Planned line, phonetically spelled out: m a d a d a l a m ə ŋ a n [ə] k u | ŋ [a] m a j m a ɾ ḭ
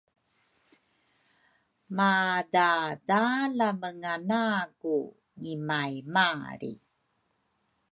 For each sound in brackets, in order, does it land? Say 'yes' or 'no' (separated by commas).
no, no